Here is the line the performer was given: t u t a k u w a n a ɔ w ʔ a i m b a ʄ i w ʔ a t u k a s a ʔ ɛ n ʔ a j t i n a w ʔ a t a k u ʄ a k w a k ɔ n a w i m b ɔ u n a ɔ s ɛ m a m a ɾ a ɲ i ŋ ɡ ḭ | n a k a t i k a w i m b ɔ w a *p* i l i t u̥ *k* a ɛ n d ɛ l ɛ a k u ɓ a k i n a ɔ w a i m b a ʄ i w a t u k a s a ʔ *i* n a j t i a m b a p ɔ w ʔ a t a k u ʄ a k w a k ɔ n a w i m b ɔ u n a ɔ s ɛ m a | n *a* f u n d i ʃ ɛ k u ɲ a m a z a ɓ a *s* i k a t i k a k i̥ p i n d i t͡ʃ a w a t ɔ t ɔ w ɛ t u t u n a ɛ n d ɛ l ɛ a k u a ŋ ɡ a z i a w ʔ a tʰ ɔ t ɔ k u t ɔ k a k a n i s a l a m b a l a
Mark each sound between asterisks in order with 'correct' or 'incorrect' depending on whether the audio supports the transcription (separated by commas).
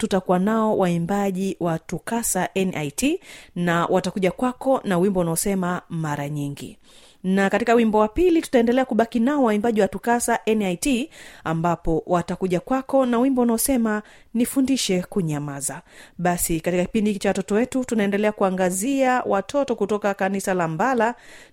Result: correct, incorrect, incorrect, incorrect, correct